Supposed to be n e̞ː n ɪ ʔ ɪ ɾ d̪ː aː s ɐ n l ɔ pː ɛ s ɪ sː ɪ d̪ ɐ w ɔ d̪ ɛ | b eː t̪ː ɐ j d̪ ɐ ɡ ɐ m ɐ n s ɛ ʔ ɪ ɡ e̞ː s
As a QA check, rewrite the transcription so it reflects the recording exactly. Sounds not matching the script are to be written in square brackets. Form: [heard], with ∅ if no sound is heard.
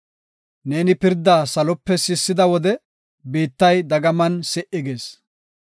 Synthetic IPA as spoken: n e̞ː n ɪ [p] ɪ ɾ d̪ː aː s ɐ [∅] l ɔ pː ɛ s ɪ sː ɪ d̪ ɐ w ɔ d̪ ɛ | b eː t̪ː ɐ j d̪ ɐ ɡ ɐ m ɐ n s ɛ ʔ ɪ ɡ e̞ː s